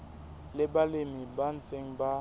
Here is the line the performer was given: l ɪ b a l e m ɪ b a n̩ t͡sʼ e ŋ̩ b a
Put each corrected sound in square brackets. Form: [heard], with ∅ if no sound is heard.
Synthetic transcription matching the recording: l ɪ b a l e m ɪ b a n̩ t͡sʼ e ŋ̩ b a